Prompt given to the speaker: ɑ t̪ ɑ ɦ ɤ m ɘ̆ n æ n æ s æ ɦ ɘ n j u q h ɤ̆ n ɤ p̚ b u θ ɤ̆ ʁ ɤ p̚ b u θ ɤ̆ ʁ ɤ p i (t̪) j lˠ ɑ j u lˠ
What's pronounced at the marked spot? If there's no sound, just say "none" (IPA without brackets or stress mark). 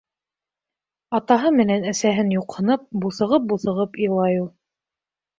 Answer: none